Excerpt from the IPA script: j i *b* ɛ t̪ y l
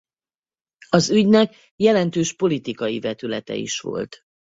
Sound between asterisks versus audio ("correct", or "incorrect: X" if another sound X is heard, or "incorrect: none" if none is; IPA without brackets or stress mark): incorrect: v